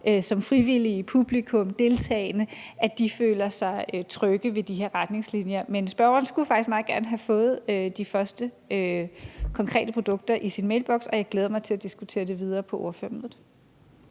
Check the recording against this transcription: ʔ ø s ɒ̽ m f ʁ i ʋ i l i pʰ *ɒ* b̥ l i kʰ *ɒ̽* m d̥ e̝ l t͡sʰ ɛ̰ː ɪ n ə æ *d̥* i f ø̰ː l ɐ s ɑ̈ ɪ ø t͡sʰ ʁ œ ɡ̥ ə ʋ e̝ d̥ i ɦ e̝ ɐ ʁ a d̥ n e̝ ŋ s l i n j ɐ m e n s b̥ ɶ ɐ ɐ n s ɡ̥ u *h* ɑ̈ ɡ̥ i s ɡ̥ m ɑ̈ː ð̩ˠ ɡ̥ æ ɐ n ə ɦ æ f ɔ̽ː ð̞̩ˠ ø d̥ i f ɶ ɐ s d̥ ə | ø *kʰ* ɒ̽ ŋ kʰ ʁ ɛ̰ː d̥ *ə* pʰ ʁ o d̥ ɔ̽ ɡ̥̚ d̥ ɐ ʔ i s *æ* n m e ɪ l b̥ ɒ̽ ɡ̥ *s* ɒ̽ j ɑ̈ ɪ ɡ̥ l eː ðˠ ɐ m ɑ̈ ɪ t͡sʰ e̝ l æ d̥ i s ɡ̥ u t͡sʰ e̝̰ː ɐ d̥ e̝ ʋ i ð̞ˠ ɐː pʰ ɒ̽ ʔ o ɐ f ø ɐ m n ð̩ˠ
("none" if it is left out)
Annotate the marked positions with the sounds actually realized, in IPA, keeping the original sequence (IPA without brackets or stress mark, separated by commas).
u, ɔ̽, d̥, f, kʰ, ə, i, s